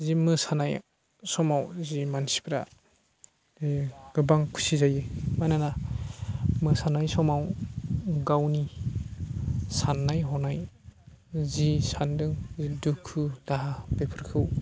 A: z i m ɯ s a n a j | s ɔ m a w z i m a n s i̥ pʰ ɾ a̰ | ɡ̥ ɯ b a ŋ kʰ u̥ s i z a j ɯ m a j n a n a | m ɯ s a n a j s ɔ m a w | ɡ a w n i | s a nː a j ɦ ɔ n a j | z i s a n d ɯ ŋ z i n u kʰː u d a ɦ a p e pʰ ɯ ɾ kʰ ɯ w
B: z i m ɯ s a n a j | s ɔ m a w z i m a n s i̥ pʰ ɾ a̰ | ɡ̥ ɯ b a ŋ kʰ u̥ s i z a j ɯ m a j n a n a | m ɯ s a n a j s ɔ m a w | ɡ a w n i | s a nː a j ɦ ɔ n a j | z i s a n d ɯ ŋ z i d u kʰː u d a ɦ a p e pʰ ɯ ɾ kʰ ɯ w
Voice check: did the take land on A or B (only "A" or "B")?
B